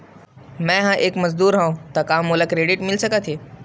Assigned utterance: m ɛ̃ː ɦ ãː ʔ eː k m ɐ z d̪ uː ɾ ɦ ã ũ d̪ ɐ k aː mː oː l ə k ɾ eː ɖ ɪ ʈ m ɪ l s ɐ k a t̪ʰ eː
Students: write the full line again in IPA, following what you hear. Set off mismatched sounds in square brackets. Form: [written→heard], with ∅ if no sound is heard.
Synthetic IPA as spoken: m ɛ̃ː ɦ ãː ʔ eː k m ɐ z d̪ uː ɾ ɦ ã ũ [d̪→t̪] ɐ k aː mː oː l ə k ɾ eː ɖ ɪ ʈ m ɪ l s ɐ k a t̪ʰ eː